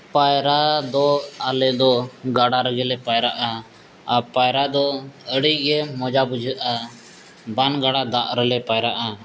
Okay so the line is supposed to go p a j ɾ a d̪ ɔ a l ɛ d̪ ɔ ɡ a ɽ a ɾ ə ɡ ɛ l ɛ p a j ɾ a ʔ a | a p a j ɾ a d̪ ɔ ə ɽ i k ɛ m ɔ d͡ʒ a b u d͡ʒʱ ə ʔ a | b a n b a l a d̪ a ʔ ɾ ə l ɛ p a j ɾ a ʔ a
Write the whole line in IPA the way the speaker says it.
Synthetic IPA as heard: p a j ɾ a d̪ ɔ a l ɛ d̪ ɔ ɡ a ɽ a ɾ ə ɡ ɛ l ɛ p a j ɾ a ʔ a | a p a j ɾ a d̪ ɔ ə ɽ i ɡ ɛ m ɔ d͡ʒ a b u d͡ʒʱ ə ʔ a | b a n ɡ a ɽ a d̪ a ʔ ɾ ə l ɛ p a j ɾ a ʔ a